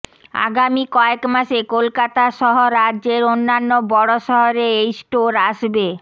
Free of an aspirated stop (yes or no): yes